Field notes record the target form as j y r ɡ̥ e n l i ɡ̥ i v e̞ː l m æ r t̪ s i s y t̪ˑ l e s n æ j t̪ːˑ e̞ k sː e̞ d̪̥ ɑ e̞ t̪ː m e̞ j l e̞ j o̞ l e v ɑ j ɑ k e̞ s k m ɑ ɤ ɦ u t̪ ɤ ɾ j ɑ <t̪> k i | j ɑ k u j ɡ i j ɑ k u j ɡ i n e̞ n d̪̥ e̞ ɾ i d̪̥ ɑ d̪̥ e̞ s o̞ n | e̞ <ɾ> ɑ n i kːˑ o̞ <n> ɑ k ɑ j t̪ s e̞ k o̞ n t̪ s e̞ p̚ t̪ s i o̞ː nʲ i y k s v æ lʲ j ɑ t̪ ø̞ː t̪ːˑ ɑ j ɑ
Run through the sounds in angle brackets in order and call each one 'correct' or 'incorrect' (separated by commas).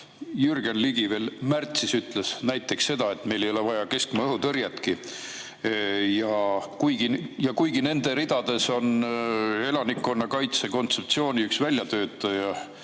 correct, incorrect, incorrect